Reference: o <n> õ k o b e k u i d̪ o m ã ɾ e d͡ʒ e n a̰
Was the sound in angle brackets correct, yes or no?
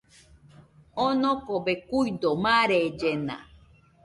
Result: yes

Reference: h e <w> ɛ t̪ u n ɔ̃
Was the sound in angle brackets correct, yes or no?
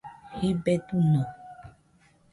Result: no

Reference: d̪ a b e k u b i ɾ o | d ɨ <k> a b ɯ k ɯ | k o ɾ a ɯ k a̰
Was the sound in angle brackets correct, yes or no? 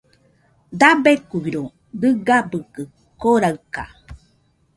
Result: no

